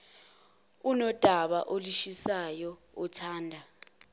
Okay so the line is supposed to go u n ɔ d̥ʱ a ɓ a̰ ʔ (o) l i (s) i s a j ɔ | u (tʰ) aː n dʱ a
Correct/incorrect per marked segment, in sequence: correct, incorrect: ʃ, correct

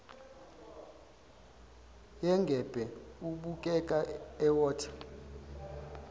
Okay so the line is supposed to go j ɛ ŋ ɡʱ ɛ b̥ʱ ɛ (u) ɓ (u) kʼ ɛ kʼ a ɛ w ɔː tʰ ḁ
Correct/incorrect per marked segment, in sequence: correct, correct

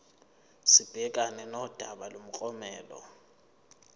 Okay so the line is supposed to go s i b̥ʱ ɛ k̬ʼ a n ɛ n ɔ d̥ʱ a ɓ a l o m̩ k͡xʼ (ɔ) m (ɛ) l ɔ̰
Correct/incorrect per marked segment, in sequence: correct, incorrect: ɛː

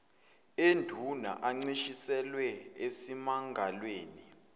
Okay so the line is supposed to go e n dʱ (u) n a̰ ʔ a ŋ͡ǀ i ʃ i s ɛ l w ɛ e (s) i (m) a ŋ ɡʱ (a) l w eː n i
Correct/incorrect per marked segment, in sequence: correct, correct, correct, correct

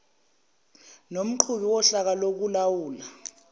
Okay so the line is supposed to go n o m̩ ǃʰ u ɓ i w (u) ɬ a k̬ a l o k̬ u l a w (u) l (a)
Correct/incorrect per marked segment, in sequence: incorrect: ɔ, incorrect: uː, correct

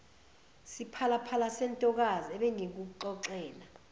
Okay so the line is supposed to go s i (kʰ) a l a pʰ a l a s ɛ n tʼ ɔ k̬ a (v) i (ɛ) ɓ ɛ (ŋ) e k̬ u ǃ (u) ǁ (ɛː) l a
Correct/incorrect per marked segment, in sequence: incorrect: pʰ, incorrect: z, correct, correct, incorrect: ɔ, correct

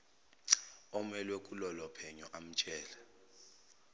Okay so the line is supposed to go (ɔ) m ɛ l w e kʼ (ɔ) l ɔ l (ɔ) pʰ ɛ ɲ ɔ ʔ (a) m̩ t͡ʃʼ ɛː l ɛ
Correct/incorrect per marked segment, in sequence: correct, incorrect: u, correct, correct

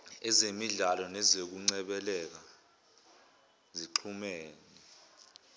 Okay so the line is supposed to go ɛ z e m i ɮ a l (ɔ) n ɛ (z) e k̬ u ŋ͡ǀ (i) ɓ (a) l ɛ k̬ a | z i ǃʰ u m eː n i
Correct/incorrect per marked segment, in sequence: correct, correct, incorrect: ɛ, incorrect: ɛ

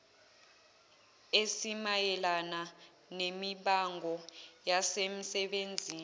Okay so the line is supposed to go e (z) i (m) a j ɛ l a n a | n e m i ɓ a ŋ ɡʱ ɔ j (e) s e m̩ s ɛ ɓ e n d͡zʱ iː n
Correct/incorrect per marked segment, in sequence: incorrect: s, correct, incorrect: a

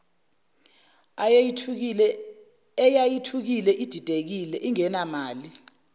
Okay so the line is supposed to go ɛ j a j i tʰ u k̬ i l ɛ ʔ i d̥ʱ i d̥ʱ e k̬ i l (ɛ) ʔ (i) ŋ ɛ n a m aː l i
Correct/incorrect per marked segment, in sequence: correct, correct

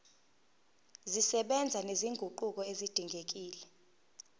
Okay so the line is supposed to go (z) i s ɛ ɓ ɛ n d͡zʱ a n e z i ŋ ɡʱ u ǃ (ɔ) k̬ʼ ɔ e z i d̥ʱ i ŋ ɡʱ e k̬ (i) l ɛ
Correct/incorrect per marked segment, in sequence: correct, incorrect: u, incorrect: iː

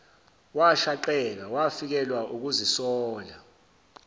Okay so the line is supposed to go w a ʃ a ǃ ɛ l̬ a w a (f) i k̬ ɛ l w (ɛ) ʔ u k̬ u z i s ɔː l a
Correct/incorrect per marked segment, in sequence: correct, incorrect: a

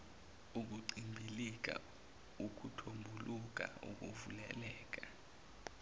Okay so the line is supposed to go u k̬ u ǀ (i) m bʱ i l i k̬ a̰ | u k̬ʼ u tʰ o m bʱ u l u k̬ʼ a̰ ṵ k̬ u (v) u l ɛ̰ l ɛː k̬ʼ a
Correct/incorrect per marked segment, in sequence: correct, correct

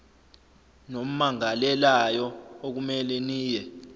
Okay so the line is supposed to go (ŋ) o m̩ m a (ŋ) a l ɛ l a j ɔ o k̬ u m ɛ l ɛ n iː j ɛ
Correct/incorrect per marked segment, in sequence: incorrect: n, correct

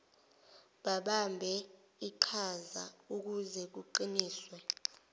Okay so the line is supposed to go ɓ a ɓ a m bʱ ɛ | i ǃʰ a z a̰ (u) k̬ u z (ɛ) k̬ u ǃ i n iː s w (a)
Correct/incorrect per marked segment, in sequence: correct, correct, incorrect: ɛ

